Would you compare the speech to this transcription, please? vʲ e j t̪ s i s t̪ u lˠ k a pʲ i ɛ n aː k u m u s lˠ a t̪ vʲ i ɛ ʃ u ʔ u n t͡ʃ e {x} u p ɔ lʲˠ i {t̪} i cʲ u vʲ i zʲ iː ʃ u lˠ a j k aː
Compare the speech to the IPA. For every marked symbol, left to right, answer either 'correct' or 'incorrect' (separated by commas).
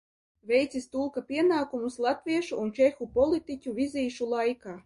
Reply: correct, correct